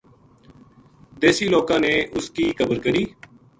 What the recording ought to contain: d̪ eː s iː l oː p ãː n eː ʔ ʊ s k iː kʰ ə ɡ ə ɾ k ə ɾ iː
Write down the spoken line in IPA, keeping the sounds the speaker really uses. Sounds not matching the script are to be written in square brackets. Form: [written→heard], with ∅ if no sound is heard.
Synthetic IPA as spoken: d̪ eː s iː l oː [p→k] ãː n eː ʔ ʊ s k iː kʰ ə [ɡ→b] ə ɾ k ə ɾ iː